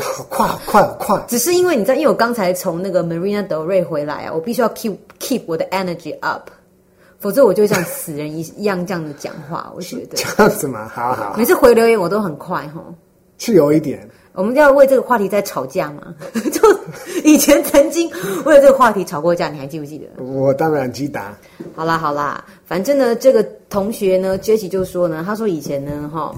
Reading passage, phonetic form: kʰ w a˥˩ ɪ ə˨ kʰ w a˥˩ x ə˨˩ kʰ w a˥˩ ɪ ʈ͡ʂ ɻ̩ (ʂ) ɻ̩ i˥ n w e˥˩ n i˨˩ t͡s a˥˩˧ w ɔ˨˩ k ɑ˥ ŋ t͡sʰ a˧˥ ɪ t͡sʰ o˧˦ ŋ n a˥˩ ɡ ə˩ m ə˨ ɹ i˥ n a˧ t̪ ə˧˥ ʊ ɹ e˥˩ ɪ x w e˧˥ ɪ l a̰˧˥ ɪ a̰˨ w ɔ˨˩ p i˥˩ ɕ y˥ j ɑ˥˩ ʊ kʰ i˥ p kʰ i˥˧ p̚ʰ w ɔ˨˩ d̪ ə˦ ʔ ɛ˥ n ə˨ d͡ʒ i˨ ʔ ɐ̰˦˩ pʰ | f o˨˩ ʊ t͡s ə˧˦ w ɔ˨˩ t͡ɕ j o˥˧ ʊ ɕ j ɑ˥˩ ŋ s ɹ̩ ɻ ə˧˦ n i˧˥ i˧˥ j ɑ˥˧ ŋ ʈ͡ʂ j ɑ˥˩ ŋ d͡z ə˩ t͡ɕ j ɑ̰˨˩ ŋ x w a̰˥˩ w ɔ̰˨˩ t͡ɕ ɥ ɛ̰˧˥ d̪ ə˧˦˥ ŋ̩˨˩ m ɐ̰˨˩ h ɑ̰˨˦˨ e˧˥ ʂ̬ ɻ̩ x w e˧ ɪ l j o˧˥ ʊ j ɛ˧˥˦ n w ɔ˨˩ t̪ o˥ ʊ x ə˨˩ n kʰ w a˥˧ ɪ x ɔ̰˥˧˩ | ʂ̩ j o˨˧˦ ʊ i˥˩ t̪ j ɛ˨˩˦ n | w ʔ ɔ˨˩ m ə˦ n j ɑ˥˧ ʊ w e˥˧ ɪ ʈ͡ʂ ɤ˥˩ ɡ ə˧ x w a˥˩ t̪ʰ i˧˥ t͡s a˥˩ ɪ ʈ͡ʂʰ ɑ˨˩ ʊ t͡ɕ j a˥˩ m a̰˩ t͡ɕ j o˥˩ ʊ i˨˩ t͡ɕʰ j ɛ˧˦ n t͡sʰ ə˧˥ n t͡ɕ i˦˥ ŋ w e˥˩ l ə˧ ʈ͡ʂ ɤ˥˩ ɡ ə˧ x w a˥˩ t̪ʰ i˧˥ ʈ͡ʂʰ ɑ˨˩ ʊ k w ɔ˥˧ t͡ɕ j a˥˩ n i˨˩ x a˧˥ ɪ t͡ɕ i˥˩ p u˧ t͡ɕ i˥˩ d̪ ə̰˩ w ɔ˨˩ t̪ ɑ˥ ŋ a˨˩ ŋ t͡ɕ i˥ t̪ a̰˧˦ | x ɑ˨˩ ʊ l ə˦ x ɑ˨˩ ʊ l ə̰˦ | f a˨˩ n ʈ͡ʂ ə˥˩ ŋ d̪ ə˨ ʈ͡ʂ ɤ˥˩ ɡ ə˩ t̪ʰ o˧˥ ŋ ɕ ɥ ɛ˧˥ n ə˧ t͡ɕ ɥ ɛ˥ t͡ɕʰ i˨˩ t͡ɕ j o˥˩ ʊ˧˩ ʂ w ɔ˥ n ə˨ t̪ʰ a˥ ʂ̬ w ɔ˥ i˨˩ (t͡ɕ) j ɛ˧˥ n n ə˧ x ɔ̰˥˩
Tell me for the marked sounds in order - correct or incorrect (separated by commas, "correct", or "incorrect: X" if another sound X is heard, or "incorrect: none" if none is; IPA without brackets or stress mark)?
correct, incorrect: t͡ɕʰ